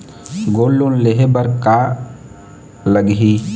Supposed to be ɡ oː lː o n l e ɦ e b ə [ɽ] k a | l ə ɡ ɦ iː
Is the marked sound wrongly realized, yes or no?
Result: yes